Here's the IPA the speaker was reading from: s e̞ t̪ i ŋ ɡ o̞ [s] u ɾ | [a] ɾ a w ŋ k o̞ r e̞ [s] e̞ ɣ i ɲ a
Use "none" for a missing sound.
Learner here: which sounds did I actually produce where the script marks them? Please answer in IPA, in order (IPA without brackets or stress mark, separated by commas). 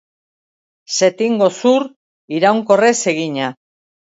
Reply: s, i, s